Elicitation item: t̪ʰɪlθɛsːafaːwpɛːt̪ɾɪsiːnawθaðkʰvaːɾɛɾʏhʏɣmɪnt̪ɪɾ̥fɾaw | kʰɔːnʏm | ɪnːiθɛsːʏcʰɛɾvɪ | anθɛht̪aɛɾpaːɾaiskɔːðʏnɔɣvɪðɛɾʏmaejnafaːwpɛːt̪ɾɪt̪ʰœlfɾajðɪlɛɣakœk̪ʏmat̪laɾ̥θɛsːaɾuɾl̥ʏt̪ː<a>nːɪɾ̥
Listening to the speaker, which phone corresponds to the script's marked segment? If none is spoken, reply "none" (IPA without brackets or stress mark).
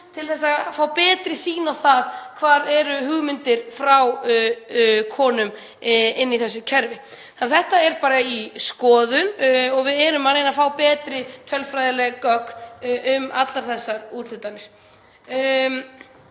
a